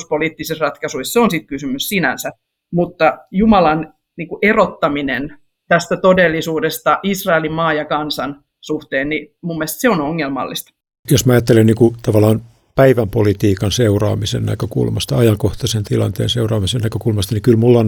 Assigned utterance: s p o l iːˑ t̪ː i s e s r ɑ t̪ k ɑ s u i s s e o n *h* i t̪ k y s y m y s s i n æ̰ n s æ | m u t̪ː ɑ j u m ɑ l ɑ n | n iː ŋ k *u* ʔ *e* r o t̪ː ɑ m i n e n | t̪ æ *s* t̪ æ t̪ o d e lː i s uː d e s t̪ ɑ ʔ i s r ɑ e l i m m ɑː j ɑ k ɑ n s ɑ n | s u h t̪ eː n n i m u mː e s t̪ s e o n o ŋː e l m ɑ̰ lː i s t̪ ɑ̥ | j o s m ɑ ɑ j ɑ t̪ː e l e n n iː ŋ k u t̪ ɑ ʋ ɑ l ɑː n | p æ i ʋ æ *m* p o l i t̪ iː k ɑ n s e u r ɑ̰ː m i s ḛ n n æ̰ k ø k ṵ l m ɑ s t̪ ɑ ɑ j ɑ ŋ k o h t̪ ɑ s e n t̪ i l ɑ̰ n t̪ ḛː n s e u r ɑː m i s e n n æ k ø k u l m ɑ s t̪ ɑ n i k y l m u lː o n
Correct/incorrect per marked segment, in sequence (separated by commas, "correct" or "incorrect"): incorrect, correct, correct, correct, correct